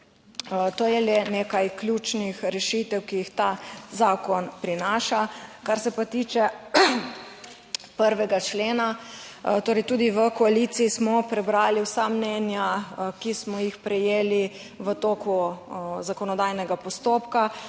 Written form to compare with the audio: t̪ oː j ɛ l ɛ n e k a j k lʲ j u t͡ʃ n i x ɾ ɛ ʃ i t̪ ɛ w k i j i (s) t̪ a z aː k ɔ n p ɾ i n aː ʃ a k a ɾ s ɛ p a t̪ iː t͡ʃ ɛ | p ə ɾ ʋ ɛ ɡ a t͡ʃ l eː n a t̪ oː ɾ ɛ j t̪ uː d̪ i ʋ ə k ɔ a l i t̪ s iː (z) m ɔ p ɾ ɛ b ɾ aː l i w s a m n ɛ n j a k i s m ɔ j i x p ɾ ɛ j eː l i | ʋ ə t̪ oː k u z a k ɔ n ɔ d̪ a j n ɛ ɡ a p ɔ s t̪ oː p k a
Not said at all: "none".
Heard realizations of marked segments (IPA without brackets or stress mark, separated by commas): x, s